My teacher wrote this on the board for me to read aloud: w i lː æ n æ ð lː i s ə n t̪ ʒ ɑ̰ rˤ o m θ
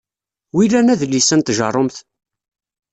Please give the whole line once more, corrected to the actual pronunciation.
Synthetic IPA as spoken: w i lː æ n æ ð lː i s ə n t̪ ʒ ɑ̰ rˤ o m θ